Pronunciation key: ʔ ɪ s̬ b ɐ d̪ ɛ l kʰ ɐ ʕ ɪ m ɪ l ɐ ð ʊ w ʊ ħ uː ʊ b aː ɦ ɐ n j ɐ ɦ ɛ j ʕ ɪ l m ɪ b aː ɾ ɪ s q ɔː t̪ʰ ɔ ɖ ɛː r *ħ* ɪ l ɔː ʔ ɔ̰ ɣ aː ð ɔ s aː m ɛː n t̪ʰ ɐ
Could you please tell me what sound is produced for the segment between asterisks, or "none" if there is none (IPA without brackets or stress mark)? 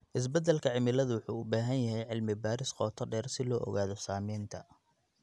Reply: s